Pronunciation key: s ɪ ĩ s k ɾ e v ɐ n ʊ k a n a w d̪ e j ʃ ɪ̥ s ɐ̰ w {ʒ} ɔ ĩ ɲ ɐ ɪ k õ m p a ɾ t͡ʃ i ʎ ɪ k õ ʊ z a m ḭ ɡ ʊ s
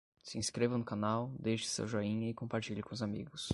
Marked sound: correct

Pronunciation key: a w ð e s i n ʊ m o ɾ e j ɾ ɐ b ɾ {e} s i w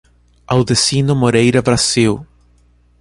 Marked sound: incorrect: a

